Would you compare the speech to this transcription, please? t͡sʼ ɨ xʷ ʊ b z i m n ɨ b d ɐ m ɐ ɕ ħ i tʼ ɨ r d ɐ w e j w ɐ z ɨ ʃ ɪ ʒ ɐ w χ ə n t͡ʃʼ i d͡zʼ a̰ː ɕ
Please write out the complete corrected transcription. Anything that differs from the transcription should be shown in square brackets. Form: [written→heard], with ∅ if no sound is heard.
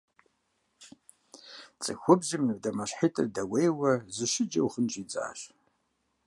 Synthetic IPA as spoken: t͡sʼ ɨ xʷ ʊ b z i m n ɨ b d ɐ m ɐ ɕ ħ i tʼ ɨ r d ɐ w e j w ɐ z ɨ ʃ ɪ [ʒ→d͡ʒ] ɐ w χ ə n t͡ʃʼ i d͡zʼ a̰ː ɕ